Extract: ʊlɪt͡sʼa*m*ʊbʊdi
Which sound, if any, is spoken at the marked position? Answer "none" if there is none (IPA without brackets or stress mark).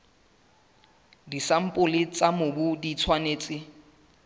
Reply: m